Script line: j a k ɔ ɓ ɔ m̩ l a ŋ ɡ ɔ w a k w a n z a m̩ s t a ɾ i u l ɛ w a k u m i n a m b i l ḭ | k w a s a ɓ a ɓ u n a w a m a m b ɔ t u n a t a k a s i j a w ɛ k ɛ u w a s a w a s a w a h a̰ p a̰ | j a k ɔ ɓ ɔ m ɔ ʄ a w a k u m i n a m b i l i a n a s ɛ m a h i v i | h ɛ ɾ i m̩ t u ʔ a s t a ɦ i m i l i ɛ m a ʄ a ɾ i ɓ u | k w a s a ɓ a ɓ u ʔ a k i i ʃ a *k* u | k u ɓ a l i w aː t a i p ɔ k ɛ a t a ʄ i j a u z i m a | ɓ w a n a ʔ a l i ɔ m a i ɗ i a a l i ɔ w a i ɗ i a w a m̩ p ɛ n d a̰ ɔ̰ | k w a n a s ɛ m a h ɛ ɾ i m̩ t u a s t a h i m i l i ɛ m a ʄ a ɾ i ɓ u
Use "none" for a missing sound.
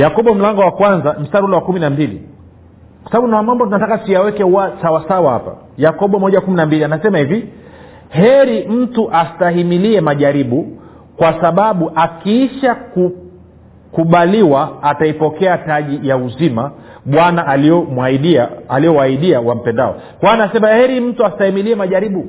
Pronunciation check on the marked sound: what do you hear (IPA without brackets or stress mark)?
k